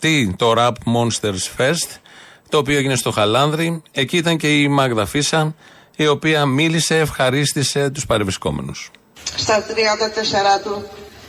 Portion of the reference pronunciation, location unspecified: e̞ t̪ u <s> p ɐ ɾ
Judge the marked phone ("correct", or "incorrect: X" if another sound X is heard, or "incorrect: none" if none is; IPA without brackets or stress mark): correct